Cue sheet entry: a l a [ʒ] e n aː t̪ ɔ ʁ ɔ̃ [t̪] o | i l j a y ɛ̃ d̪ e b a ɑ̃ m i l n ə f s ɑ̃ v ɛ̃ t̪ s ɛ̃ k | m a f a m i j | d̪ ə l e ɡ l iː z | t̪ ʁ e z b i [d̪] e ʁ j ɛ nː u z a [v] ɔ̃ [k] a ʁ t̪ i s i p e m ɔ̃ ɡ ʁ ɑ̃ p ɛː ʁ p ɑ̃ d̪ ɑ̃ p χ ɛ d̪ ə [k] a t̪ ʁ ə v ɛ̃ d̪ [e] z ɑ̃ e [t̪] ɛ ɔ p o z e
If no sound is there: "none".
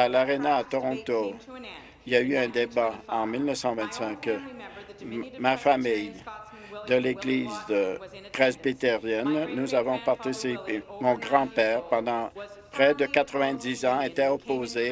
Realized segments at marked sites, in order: ʁ, t̪, t̪, v, p, k, i, t̪

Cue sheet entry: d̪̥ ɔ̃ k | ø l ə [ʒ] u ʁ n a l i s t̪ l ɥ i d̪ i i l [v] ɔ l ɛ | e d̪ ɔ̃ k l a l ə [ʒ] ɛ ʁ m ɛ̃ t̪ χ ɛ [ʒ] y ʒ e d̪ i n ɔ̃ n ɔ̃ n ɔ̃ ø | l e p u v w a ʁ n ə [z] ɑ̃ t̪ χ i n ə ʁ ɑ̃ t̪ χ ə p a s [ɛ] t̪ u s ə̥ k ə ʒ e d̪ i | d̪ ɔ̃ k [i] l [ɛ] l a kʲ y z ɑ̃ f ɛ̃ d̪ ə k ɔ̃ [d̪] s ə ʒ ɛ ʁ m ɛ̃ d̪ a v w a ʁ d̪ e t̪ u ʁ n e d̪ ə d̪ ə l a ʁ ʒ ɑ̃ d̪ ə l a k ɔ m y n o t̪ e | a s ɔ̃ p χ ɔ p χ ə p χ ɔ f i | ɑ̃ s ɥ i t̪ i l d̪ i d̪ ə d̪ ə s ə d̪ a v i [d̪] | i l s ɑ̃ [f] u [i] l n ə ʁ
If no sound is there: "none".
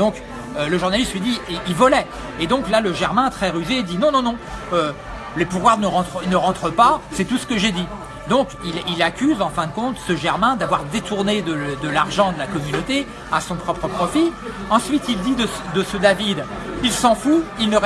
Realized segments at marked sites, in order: ʒ, v, ʒ, ʁ, ʁ, ɛ, i, i, t̪, d̪, f, i

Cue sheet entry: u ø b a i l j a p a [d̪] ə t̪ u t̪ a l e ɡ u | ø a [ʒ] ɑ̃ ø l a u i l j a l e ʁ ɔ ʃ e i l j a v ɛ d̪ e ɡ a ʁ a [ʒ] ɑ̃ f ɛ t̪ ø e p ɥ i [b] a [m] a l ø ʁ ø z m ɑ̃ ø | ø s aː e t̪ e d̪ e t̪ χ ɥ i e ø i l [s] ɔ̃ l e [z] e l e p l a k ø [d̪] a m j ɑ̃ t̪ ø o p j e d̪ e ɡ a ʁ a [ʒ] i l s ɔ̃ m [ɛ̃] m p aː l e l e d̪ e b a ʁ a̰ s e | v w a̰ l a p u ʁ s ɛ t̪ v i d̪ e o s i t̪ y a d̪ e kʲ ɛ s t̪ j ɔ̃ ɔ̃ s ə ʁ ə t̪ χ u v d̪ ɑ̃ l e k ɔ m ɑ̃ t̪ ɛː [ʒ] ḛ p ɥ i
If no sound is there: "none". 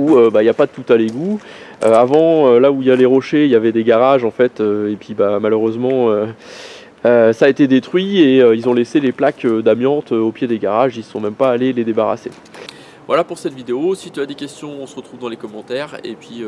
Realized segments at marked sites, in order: d̪, v, ʒ, b, m, z, s, d̪, ʒ, ɛ, ʁ

